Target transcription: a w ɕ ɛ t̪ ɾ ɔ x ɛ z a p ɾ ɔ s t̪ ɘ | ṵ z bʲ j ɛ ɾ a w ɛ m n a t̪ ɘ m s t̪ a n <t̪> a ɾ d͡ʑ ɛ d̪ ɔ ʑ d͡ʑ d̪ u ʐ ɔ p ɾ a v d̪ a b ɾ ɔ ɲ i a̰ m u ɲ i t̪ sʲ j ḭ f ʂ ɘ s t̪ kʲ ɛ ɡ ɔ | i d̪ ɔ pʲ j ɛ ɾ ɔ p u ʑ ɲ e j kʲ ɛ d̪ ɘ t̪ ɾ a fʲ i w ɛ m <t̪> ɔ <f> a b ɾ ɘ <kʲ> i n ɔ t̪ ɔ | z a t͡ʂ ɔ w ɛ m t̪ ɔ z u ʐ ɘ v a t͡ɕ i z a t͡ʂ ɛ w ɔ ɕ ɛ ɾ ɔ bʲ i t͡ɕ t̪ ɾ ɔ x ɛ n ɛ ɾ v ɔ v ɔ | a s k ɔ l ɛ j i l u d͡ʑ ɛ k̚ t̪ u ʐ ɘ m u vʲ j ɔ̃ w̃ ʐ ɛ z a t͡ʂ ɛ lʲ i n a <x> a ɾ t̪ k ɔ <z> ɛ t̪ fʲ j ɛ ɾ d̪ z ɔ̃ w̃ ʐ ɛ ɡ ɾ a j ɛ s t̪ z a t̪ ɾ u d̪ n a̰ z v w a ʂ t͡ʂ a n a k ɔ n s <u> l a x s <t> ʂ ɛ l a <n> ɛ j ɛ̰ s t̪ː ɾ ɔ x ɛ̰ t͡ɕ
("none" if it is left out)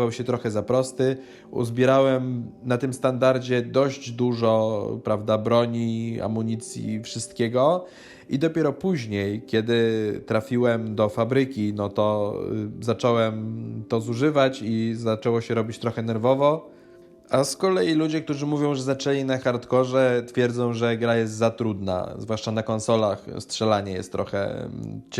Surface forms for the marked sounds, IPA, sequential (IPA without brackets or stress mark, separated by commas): d̪, d̪, f, kʲ, x, ʐ, ɔ, t, ɲ